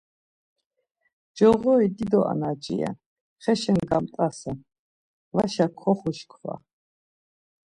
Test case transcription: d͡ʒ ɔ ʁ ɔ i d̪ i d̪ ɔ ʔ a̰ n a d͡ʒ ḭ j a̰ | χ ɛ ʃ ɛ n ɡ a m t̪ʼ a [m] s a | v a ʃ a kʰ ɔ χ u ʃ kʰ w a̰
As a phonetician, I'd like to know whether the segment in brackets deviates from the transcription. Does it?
yes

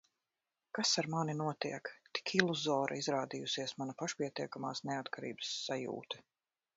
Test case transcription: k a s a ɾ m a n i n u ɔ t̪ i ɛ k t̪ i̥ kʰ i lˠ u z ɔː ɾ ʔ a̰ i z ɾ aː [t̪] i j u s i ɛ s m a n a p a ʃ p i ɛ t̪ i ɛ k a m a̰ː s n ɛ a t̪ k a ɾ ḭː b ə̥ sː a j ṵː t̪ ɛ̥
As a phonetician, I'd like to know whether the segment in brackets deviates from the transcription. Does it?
yes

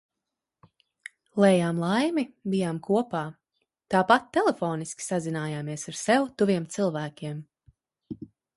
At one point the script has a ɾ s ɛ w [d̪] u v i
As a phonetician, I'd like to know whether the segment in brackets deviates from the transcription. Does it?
yes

